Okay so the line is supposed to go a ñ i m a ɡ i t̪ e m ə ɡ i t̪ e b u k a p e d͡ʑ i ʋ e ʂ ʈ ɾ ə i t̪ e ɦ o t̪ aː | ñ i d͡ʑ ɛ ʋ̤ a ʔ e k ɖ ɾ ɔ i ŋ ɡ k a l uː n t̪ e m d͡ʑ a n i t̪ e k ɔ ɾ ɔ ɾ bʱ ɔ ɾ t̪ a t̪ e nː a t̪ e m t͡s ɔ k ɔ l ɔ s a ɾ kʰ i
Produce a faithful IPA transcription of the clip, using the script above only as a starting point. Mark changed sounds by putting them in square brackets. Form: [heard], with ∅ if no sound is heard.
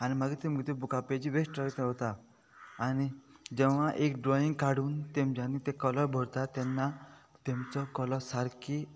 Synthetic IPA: a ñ i m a ɡ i t̪ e m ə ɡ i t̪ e b u k a p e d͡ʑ i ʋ e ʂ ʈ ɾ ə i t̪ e ɦ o t̪ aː | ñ i d͡ʑ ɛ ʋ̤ a ʔ e k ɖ ɾ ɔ i ŋ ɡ k a [ɽ] uː n t̪ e m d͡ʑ a n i t̪ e k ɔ [l] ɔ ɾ bʱ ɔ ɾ t̪ a t̪ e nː a t̪ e m t͡s ɔ k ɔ l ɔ s a ɾ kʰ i